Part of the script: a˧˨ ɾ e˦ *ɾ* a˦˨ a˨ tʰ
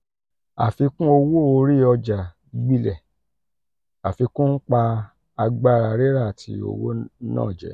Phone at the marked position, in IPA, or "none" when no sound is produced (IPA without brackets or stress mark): ɾ